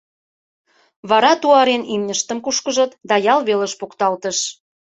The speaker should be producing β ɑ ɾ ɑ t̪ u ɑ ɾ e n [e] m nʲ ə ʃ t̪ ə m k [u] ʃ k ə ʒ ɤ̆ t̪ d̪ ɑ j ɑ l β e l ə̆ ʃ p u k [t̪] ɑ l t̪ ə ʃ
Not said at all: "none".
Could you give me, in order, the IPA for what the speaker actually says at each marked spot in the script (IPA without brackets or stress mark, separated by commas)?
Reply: i, u, t̪